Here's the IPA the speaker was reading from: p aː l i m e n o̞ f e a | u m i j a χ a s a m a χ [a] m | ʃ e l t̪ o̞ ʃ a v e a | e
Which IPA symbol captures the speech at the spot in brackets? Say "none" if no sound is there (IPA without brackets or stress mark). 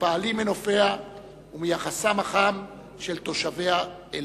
a